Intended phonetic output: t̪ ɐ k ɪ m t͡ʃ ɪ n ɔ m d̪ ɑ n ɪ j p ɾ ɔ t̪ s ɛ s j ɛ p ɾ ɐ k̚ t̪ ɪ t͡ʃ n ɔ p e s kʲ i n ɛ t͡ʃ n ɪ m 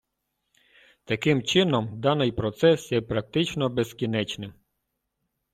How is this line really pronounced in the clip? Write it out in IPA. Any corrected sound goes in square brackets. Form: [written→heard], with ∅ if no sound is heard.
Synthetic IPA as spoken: t̪ ɐ k ɪ m t͡ʃ ɪ n ɔ m d̪ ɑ n ɪ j p ɾ ɔ t̪ s ɛ s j ɛ p ɾ ɐ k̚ t̪ ɪ t͡ʃ n ɔ [p→b] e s kʲ i n ɛ t͡ʃ n ɪ m